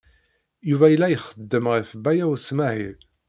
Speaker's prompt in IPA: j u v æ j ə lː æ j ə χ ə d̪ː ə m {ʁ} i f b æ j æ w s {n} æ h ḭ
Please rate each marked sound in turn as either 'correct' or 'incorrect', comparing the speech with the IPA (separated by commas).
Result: correct, incorrect